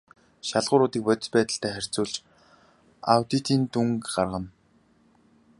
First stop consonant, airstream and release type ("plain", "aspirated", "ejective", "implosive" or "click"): plain